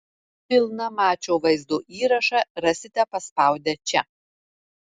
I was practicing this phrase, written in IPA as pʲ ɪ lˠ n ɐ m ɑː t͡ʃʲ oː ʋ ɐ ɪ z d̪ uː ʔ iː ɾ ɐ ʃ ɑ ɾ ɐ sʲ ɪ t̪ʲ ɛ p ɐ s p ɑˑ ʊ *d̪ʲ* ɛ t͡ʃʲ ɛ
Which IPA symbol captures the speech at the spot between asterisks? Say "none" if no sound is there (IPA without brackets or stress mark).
d̪ʲ